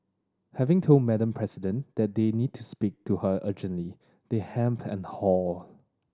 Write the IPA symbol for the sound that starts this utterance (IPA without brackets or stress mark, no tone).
h